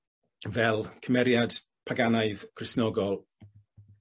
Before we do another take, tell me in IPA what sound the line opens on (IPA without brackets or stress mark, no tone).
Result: v